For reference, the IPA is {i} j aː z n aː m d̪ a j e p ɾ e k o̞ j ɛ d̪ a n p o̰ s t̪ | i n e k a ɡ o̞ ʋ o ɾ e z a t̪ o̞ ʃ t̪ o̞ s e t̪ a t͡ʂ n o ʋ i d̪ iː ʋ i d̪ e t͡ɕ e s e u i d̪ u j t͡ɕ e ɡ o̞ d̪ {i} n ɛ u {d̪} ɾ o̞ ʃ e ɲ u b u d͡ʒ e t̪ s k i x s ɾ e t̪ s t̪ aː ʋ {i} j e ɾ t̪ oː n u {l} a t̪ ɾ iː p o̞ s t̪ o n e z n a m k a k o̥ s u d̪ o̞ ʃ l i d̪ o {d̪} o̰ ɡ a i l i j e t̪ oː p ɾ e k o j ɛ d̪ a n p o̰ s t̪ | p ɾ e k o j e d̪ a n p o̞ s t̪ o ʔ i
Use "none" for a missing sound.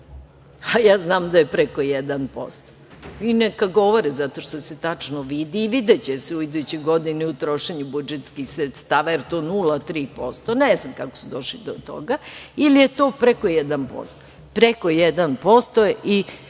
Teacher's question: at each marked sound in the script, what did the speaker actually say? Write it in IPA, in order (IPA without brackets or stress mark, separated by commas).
a, i, t̪, a, l, t̪